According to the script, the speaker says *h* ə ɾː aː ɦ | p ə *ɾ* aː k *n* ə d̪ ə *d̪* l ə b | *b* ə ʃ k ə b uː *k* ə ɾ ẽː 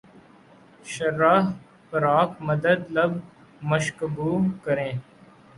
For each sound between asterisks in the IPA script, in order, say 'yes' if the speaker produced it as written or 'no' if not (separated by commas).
no, yes, no, yes, no, yes